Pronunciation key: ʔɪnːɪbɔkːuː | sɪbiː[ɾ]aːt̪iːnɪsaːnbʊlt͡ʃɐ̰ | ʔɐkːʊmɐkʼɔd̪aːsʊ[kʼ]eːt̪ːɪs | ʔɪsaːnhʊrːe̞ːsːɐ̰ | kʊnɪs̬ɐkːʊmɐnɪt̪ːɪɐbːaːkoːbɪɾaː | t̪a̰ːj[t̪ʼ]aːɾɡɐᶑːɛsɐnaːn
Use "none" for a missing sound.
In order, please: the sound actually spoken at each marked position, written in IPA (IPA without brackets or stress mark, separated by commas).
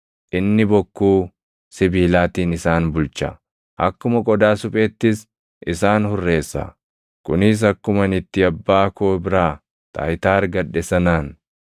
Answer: l, pʼ, t̪